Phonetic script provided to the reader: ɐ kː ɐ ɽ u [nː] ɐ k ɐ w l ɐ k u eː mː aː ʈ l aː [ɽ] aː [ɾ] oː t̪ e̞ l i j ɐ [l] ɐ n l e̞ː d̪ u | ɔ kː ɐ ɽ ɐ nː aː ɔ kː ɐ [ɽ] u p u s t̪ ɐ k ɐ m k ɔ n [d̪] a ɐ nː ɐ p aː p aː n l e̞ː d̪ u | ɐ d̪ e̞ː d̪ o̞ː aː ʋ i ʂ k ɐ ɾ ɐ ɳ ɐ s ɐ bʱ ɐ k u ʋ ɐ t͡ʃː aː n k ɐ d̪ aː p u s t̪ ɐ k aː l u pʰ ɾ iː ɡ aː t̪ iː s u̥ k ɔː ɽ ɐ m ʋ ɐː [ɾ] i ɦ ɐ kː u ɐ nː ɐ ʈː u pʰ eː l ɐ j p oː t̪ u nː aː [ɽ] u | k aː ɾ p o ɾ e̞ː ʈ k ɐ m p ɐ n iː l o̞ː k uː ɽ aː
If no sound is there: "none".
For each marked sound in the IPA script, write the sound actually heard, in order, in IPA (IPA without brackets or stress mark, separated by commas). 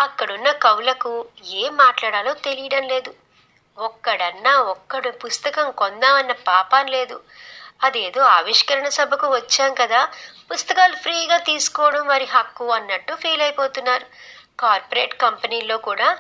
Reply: nː, ɽ, l, ɽ, ɽ, d̪, ɾ, ɾ